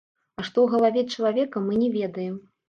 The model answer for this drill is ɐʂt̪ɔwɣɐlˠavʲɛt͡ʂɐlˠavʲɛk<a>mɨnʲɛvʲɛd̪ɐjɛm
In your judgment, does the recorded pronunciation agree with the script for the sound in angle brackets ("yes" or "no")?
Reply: no